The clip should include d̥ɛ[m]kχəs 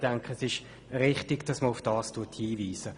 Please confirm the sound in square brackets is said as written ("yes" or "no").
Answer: no